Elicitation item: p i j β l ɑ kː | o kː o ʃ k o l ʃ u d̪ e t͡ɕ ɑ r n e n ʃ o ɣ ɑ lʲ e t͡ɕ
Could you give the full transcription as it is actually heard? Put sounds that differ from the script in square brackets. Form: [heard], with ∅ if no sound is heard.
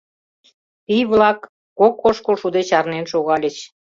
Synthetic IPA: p i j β l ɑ kː | o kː o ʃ k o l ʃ u d̪ e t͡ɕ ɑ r n e n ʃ o ɣ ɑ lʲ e t͡ɕ